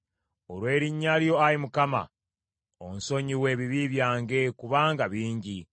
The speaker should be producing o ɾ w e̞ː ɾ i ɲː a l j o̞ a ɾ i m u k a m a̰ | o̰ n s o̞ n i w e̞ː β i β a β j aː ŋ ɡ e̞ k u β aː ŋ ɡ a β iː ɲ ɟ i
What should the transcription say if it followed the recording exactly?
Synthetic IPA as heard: o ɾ w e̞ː ɾ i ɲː a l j o̞ a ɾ i m u k a m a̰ | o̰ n s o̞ ɲ i w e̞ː β i β i β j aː ŋ ɡ e̞ k u β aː ŋ ɡ a β iː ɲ ɟ i